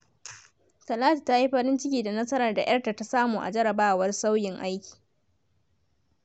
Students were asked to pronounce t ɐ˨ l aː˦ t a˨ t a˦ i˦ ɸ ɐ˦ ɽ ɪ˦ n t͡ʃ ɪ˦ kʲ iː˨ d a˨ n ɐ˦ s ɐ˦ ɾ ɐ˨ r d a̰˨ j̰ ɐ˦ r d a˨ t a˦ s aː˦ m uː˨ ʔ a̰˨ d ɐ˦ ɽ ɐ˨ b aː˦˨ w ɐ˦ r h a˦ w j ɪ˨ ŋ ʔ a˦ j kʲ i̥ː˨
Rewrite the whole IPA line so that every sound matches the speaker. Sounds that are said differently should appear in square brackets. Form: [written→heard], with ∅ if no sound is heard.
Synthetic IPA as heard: t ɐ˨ l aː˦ t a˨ t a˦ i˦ ɸ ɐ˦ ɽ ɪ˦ n t͡ʃ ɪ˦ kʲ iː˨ d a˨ n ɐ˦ s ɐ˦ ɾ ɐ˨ r d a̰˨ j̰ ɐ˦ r [d→t] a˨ t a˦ s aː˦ m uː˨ ʔ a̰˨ [d→d͡ʒ] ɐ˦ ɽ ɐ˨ b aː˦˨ w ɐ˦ r [h→s] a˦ w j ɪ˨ ŋ ʔ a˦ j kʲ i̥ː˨